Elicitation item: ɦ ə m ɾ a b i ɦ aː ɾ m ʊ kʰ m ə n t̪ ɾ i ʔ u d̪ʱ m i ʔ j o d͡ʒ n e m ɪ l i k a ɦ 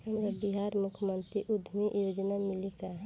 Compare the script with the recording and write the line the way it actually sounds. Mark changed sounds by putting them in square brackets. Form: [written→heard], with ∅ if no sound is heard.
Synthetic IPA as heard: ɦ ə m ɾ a b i ɦ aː ɾ m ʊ kʰ m ə n t̪ ɾ i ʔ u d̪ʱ m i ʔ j o d͡ʒ n [e→a] m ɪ l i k a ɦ